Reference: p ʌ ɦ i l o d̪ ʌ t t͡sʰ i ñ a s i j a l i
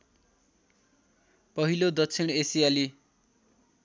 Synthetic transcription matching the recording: p ʌ ɦ i l o d̪ ʌ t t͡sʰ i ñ e s i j a l i